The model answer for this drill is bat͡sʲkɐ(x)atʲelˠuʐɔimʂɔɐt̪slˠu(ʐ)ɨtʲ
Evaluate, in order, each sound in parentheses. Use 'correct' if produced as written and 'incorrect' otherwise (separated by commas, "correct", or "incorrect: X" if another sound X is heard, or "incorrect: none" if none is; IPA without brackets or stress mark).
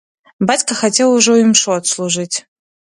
correct, correct